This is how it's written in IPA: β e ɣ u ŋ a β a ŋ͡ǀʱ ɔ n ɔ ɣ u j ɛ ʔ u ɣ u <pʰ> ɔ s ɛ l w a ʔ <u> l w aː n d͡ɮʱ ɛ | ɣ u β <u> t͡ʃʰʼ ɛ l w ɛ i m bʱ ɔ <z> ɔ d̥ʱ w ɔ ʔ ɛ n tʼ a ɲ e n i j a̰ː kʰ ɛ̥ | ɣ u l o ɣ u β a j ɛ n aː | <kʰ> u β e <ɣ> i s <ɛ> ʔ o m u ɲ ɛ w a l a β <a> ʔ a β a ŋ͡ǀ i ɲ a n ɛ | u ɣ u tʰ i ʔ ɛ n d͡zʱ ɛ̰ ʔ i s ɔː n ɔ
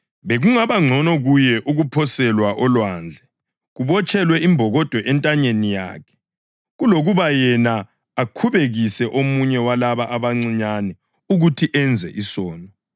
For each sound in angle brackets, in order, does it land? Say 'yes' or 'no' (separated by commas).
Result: yes, no, no, no, yes, yes, yes, yes